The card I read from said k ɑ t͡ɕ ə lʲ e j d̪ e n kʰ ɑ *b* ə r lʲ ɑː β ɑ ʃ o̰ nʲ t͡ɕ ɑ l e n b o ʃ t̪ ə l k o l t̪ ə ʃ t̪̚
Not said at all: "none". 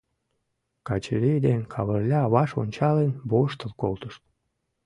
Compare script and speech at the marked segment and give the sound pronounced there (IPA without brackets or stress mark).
β